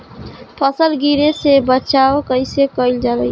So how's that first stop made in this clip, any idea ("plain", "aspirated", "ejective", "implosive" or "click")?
aspirated